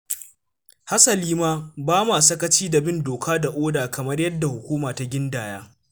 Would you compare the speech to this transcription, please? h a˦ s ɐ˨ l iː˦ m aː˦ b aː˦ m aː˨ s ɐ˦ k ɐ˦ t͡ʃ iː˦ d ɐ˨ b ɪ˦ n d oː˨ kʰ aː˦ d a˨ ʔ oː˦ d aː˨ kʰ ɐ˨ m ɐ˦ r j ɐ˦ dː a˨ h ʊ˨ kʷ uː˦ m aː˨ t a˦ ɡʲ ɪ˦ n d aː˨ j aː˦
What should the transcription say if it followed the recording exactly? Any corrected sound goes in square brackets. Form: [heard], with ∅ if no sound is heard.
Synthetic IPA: h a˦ s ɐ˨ l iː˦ m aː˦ b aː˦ m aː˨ s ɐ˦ k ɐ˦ t͡ʃ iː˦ d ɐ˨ b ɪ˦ n d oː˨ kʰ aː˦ d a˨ ʔ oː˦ d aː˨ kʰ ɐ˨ m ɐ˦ r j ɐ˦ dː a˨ h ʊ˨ kʷ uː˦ m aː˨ t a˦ ɡʲ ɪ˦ n d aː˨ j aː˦